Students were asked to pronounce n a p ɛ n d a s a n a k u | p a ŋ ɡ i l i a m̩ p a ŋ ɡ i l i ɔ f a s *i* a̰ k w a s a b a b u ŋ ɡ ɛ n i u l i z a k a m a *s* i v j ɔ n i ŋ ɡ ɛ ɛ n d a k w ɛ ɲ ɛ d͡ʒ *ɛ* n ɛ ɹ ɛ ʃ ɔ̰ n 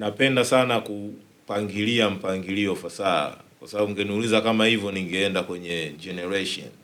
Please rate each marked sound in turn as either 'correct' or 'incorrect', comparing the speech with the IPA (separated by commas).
incorrect, incorrect, correct